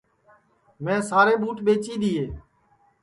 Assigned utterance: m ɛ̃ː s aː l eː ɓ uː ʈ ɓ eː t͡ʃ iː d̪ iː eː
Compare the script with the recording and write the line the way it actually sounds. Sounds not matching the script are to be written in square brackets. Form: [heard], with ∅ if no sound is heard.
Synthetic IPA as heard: m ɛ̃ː s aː [ɾ] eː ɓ uː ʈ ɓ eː t͡ʃ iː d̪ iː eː